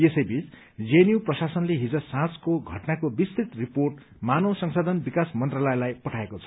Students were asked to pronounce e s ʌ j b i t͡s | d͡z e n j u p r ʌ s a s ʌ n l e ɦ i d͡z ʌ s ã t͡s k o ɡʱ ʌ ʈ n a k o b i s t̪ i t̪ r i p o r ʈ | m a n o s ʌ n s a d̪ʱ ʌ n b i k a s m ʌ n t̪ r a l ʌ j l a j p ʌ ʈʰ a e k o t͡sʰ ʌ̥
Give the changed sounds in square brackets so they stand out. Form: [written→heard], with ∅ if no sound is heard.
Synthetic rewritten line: e s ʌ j b i t͡s | d͡z e n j u p r ʌ s a s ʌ n l e ɦ i d͡z ʌ s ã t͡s k o ɡʱ ʌ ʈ n a k o b i s t̪ i t̪ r i p o r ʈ | m a n o s ʌ [n→ŋ] s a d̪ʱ ʌ n b i k a s m ʌ n t̪ r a l ʌ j l a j p ʌ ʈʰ a e k o t͡sʰ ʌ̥

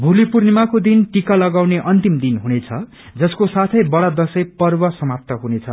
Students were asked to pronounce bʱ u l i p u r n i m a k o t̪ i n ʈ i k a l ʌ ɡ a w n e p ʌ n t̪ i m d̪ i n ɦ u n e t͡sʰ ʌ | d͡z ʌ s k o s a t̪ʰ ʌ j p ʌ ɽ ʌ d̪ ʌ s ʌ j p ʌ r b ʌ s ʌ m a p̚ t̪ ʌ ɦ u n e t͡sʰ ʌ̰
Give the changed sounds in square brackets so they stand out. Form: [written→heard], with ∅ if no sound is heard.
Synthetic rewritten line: bʱ u l i p u r n i m a k o [t̪→d̪] i n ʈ i k a l ʌ ɡ a w n e [p→ʔ] ʌ n t̪ i m d̪ i n ɦ u n e t͡sʰ ʌ | d͡z ʌ s k o s a t̪ʰ ʌ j [p→b] ʌ ɽ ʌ d̪ ʌ s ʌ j p ʌ r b ʌ s ʌ m a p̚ t̪ ʌ ɦ u n e t͡sʰ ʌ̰

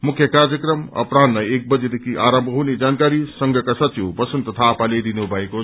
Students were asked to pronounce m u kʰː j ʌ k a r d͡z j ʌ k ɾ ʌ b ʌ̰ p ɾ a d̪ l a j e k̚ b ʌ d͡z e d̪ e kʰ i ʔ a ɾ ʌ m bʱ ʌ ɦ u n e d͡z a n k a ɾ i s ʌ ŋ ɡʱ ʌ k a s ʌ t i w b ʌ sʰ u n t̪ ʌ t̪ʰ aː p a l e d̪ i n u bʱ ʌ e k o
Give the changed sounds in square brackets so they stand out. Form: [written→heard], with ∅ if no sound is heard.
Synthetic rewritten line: m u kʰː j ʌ k a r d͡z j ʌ k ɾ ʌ [b→m] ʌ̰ p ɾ a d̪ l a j e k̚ b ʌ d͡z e d̪ e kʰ i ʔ a ɾ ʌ m bʱ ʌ ɦ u n e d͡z a n k a ɾ i s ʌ ŋ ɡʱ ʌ k a s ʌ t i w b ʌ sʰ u n t̪ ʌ t̪ʰ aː p a l e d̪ i n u bʱ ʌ e k o

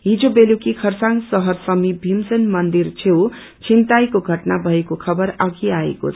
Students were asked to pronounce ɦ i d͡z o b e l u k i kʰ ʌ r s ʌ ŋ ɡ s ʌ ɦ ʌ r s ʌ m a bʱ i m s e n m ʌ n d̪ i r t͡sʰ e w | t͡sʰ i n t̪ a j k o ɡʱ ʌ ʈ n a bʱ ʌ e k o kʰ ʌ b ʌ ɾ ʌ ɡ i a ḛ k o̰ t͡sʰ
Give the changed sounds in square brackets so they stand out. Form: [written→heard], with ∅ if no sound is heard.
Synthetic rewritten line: ɦ i d͡z o b e l u k i kʰ ʌ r s [ʌ→a] ŋ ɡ s ʌ ɦ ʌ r s ʌ m [a→i] bʱ i m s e n m ʌ n d̪ i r t͡sʰ e w | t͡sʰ i n t̪ a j k o ɡʱ ʌ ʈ n a bʱ ʌ e k o kʰ ʌ b ʌ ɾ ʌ ɡ i a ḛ k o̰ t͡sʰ

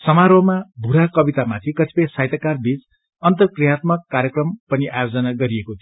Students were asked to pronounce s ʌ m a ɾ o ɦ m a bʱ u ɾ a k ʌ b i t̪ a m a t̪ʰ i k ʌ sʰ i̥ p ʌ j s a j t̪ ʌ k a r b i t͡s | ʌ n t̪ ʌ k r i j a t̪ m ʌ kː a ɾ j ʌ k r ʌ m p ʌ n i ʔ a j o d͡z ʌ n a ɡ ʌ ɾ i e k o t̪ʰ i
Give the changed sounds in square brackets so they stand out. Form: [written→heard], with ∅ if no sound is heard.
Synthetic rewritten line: s ʌ m a ɾ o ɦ m a bʱ u ɾ a k ʌ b i t̪ a m a t̪ʰ i k ʌ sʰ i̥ p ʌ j s a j t̪ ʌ k a r b i t͡s | ʌ n t̪ ʌ k r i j a t̪ m ʌ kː a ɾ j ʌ k r ʌ m p ʌ n i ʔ a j o d͡z ʌ n a ɡ ʌ ɾ i e k o t̪ʰ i

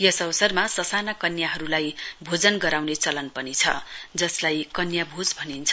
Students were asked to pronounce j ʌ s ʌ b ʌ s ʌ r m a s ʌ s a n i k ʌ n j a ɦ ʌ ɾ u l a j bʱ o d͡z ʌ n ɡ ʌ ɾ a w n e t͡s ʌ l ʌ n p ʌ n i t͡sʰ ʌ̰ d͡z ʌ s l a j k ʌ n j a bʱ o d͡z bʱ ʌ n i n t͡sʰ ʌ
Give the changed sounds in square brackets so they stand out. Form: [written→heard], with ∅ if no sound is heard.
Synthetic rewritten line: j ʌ s ʌ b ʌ s ʌ r m a s ʌ s a n [i→a] k ʌ n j a ɦ ʌ ɾ u l a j bʱ o d͡z ʌ n ɡ ʌ ɾ a w n e t͡s ʌ l ʌ n p ʌ n i t͡sʰ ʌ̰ d͡z ʌ s l a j k ʌ n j a bʱ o d͡z bʱ ʌ n i n t͡sʰ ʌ

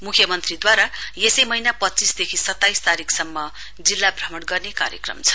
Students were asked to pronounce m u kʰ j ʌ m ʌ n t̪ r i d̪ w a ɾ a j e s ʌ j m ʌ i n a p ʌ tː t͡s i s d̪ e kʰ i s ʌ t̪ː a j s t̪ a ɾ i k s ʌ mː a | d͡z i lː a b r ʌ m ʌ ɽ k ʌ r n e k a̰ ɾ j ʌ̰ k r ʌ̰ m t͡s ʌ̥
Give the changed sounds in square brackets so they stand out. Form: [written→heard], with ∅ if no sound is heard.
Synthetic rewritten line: m u kʰ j ʌ m ʌ n t̪ r i d̪ w a ɾ a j e s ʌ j m ʌ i n a p ʌ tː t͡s i s d̪ e kʰ i s ʌ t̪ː a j s t̪ a ɾ i k s ʌ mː [a→ʌ] | d͡z i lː a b r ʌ m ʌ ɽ [k→ɡ] ʌ r n e k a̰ ɾ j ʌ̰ k r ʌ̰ m [t͡s→t͡sʰ] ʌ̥

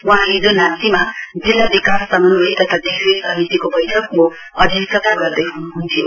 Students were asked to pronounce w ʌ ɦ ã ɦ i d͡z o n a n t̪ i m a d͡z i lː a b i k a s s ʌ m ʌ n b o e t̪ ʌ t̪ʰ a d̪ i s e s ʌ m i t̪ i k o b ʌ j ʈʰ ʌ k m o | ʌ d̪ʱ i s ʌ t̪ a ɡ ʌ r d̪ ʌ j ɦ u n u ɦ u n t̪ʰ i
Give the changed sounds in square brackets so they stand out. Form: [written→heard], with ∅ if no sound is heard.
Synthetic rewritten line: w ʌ ɦ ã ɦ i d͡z o n a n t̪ i m a d͡z i lː a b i k a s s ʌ m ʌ n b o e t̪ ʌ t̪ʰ a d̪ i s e s ʌ m i t̪ i k o b ʌ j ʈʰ ʌ k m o | ʌ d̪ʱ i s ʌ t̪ a ɡ ʌ r d̪ ʌ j ɦ u n u ɦ u n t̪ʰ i

